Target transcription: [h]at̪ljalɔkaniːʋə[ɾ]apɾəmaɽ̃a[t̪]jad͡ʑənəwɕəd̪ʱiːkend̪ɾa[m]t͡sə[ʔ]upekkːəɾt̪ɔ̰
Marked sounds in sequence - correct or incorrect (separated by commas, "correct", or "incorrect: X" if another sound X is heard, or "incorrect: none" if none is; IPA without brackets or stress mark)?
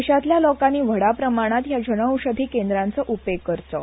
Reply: incorrect: ɕ, incorrect: ɽ, correct, incorrect: n, correct